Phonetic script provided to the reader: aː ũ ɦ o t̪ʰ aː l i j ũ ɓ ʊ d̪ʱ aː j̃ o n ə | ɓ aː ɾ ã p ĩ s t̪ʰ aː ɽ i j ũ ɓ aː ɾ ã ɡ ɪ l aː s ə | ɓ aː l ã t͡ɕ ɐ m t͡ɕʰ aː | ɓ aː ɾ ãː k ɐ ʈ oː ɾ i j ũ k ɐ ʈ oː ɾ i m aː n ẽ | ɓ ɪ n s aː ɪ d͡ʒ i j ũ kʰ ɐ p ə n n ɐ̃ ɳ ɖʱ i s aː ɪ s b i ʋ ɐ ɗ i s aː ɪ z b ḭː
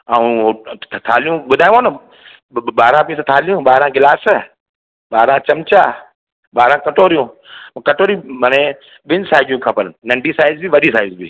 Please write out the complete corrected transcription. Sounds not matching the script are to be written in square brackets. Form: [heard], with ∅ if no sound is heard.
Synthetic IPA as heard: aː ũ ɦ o t̪ʰ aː l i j ũ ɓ ʊ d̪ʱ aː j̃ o n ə | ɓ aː ɾ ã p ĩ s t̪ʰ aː [l] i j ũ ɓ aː ɾ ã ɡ ɪ l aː s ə | ɓ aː [ɾ] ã t͡ɕ ɐ m [t͡ɕ] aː | ɓ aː ɾ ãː k ɐ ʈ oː ɾ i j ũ k ɐ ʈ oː ɾ i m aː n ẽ | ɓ ɪ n s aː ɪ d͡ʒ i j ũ kʰ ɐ p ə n n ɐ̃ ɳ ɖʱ i s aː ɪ [z] b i ʋ ɐ ɗ i s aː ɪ z b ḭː